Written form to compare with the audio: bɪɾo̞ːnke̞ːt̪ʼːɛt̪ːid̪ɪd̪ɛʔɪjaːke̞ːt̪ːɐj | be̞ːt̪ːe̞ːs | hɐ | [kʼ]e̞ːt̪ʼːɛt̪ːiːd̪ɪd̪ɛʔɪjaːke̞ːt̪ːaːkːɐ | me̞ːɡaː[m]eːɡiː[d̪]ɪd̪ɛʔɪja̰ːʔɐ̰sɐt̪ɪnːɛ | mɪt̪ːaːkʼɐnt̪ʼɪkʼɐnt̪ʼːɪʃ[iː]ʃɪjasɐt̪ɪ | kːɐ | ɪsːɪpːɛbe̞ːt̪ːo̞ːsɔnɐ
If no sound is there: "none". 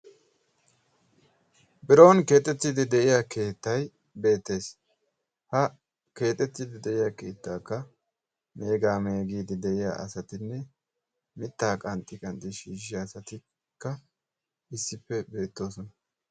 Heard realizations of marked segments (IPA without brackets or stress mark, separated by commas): k, m, d̪, iː